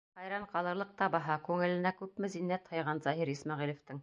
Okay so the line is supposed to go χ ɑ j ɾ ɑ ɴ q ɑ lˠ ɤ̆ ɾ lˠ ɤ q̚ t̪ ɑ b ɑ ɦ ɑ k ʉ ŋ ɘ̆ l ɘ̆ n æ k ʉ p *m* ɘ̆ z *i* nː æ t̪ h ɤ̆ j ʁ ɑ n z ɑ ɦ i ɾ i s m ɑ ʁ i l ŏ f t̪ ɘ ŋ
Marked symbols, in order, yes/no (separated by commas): yes, yes